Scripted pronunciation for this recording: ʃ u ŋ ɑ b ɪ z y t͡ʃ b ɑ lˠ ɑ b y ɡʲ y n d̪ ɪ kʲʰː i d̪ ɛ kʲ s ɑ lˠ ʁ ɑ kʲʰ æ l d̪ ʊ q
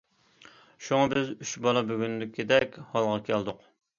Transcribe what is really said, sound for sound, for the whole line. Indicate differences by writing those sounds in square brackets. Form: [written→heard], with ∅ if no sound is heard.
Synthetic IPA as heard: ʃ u ŋ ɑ b ɪ z y t͡ʃ b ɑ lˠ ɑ b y ɡʲ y n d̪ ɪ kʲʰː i d̪ ɛ kʲ [s→h] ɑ lˠ ʁ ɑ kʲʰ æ l d̪ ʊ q

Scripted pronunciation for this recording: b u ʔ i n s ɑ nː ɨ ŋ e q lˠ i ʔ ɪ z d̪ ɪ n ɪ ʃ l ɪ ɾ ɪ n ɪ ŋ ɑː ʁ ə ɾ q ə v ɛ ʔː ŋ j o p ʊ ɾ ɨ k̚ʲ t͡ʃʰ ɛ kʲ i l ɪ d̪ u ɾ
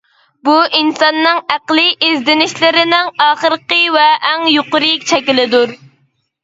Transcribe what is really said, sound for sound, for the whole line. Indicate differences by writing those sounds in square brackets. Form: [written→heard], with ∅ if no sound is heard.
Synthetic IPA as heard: b u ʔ i n s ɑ nː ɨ ŋ [e→æ] q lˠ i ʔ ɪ z d̪ ɪ n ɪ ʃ l ɪ ɾ ɪ n ɪ ŋ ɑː [ʁ→χ] ə ɾ q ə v ɛ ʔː ŋ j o [p→q] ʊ ɾ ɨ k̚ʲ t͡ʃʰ ɛ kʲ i l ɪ d̪ u ɾ

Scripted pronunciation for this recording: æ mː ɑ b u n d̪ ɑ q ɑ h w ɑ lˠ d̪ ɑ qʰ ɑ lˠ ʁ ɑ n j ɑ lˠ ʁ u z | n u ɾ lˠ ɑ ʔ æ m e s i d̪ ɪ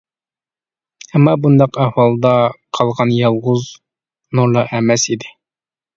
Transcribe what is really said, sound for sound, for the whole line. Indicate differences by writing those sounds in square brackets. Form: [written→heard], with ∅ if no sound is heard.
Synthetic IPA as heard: æ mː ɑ b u n d̪ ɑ q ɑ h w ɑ lˠ d̪ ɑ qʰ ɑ lˠ ʁ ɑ n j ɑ lˠ ʁ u z | n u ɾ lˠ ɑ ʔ æ m [e→æ] s i d̪ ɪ

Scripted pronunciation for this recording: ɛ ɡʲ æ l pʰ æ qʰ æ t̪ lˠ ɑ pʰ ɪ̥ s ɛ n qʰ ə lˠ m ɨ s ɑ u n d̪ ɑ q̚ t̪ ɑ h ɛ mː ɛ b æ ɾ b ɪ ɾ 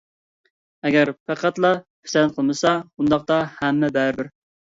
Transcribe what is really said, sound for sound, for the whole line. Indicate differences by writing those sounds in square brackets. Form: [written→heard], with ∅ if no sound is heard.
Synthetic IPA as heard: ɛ ɡʲ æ [l→ɾ] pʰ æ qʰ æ t̪ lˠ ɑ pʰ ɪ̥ s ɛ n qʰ ə lˠ m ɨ s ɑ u n d̪ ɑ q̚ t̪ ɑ h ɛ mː ɛ b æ ɾ b ɪ ɾ

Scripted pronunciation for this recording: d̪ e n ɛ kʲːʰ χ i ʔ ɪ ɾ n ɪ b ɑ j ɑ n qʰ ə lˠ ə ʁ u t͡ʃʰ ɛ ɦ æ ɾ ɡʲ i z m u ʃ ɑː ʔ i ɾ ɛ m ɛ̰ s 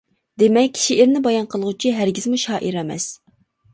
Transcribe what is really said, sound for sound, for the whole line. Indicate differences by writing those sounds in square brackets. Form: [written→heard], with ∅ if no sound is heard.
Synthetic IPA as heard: d̪ e [n→m] ɛ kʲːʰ [χ→ʃ] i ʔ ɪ ɾ n ɪ b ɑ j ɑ n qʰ ə lˠ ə ʁ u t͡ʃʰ [ɛ→i] ɦ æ ɾ ɡʲ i z m u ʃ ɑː ʔ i ɾ ɛ m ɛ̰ s

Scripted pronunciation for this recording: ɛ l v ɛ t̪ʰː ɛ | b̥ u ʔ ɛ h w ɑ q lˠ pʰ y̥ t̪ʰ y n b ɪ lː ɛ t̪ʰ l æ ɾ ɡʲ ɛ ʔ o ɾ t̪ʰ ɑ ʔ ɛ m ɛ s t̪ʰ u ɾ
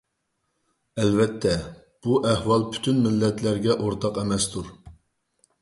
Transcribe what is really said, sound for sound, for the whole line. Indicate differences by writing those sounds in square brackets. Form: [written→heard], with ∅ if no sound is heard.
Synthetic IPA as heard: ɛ l v ɛ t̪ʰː ɛ | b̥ u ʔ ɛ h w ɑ [q→∅] lˠ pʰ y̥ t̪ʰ y n [b→m] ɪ lː ɛ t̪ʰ l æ ɾ ɡʲ ɛ ʔ o ɾ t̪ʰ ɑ [ʔ→q] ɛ m ɛ s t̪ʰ u ɾ

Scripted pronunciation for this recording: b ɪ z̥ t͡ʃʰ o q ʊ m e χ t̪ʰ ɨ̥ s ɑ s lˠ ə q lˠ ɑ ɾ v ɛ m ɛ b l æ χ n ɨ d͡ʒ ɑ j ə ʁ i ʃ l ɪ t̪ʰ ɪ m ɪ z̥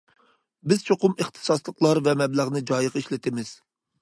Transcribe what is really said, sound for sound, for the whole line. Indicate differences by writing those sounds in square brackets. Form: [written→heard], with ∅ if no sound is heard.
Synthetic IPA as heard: b ɪ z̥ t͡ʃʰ o q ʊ m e χ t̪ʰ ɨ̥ s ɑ s lˠ ə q lˠ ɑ ɾ v ɛ m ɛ b l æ [χ→ʁ] n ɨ d͡ʒ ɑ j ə ʁ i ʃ l ɪ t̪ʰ ɪ m ɪ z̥

